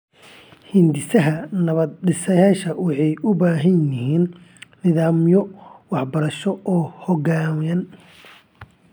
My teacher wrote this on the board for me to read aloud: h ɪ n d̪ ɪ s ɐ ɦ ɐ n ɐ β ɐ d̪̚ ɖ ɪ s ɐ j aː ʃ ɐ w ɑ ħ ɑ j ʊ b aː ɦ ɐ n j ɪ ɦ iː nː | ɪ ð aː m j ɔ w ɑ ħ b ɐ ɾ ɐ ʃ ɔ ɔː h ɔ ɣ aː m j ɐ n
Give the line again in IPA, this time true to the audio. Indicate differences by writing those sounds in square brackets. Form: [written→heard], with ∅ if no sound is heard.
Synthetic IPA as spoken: h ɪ n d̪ ɪ s ɐ ɦ ɐ n ɐ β ɐ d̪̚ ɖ ɪ s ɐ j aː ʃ ɐ w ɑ ħ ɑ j ʊ b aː ɦ ɐ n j ɪ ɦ iː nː | ɪ ð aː m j ɔ w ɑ ħ b ɐ ɾ ɐ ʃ ɔ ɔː h ɔ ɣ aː m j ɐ n

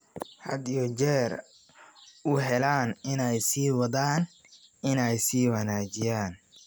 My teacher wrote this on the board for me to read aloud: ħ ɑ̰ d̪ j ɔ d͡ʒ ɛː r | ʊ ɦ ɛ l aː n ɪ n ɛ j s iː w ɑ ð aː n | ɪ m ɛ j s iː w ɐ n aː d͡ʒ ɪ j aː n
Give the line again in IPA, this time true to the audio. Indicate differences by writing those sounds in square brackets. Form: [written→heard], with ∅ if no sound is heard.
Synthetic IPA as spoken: ħ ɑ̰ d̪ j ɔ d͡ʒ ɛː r | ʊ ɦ ɛ l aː n ɪ n ɛ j s iː w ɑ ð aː n | ɪ [m→n] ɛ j s iː w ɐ n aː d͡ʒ ɪ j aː n

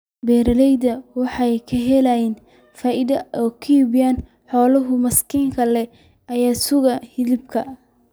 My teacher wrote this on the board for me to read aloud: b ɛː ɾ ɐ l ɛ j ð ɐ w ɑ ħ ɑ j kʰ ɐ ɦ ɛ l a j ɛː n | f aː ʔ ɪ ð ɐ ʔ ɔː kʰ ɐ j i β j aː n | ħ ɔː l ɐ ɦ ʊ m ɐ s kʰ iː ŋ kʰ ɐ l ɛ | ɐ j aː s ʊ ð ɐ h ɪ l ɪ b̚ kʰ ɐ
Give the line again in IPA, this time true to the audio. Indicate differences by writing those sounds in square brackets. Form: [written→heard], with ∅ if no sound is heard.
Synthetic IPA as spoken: b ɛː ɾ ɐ l ɛ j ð ɐ w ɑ ħ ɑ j kʰ ɐ ɦ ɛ l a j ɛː n | f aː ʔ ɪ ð ɐ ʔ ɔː kʰ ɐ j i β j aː n | ħ ɔː l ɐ ɦ ʊ m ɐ s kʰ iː ŋ kʰ ɐ l ɛ | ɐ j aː s ʊ [ð→ɣ] ɐ h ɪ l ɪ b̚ kʰ ɐ

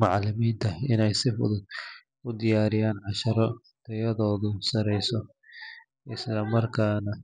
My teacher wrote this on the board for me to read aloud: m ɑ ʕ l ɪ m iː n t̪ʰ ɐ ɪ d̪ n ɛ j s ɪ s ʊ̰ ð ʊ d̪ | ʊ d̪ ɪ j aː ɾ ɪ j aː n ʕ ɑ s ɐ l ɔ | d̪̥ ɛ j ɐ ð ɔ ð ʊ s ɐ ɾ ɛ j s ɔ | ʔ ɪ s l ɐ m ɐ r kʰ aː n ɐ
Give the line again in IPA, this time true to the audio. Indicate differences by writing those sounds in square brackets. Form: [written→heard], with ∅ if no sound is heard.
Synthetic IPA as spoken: m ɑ ʕ l ɪ m iː n t̪ʰ ɐ ɪ [d̪→∅] n ɛ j s ɪ [s→f] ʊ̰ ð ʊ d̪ | ʊ d̪ ɪ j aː ɾ ɪ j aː n ʕ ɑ [s→ʃ] ɐ [l→ɾ] ɔ | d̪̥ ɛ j ɐ ð [ɔ→ɔː] ð ʊ s ɐ ɾ ɛ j s ɔ | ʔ ɪ s l ɐ m ɐ r kʰ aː n ɐ

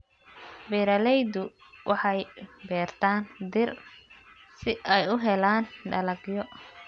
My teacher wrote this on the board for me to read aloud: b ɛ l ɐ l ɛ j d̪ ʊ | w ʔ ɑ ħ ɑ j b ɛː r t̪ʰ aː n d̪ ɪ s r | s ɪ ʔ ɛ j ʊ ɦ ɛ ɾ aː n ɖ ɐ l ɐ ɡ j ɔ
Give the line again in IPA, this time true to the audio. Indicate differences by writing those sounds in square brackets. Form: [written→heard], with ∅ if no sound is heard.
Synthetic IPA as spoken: b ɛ [l→ɾ] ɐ l ɛ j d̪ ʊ | w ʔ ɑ ħ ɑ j b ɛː r t̪ʰ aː n d̪ ɪ [s→∅] r | s ɪ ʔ ɛ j ʊ ɦ ɛ [ɾ→l] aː n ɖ ɐ l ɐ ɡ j ɔ

